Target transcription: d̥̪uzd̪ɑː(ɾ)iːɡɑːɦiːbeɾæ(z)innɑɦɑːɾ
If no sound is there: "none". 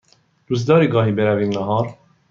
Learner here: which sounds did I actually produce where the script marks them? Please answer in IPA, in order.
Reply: ɾ, v

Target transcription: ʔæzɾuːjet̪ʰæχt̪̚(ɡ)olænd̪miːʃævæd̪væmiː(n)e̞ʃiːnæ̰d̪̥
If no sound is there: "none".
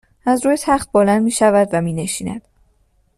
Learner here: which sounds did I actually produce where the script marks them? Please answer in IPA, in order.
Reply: b, n

